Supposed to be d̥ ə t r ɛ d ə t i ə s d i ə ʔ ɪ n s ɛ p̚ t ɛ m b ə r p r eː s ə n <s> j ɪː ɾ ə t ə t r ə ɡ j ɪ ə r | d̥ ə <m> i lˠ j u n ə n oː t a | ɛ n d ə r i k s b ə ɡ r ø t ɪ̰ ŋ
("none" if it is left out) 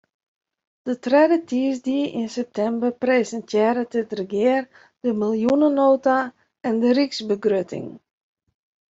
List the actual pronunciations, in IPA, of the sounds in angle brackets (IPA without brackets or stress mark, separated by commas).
t, m